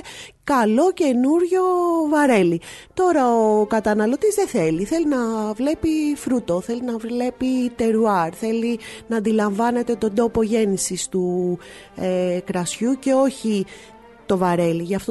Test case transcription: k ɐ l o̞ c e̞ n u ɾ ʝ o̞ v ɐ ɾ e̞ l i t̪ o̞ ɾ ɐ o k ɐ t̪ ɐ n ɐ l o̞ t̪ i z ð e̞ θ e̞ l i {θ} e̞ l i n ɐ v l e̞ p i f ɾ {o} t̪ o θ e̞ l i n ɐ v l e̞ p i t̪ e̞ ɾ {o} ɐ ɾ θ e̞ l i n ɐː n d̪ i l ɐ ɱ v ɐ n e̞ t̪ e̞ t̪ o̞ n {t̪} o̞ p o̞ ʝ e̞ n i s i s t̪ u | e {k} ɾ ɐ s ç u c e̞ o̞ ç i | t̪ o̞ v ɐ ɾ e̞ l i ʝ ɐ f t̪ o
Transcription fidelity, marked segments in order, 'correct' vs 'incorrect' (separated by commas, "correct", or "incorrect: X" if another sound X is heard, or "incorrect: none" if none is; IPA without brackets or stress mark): correct, incorrect: u, incorrect: u, incorrect: d̪, correct